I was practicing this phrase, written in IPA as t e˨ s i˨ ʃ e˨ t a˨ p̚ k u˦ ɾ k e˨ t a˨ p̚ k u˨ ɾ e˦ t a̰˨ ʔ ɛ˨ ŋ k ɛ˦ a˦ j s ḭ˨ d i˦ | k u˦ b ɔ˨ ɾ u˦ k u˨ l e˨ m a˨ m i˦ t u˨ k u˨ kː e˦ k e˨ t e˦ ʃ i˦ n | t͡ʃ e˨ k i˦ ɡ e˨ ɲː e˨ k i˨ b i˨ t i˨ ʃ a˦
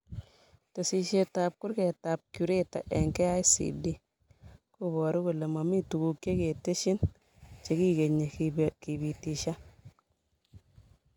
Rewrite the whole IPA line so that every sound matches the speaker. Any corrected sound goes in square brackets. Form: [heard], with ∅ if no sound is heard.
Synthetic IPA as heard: t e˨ s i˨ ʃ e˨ t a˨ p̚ k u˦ ɾ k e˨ t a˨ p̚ k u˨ ɾ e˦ t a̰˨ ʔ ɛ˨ ŋ k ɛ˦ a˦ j s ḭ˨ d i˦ | k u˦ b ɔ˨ ɾ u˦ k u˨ l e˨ m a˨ m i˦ t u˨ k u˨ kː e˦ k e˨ t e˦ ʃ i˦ n | t͡ʃ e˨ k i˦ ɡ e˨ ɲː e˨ k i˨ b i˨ t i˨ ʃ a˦